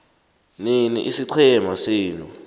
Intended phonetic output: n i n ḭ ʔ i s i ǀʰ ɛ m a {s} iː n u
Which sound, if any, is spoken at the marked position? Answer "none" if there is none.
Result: s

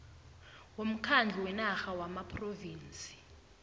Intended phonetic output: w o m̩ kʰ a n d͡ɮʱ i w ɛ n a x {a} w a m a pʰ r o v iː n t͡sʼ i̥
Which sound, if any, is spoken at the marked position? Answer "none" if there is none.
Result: a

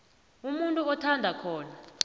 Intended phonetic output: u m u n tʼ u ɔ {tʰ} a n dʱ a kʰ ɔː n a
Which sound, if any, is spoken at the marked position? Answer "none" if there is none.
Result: tʰ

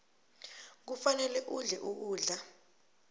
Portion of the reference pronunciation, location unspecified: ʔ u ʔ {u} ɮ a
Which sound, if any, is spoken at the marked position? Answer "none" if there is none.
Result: uː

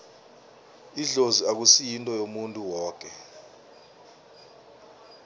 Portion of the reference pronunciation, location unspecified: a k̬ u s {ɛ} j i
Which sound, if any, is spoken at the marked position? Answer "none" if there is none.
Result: i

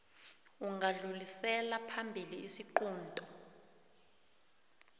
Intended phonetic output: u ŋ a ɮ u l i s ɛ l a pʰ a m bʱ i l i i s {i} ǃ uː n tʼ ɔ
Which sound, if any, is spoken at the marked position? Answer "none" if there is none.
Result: i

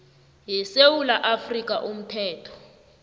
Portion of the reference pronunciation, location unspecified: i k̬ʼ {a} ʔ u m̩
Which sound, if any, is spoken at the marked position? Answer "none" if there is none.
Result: a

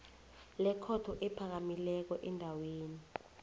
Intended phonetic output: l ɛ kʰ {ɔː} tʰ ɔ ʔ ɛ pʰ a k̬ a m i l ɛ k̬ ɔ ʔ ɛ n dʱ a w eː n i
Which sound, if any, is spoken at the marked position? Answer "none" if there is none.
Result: ɔ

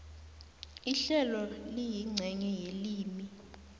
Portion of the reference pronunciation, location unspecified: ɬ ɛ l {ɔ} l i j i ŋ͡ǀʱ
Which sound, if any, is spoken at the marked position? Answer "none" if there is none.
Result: ɔ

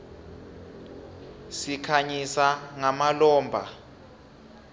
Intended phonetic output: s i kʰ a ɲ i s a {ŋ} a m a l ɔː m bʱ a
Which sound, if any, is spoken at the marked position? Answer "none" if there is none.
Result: ŋ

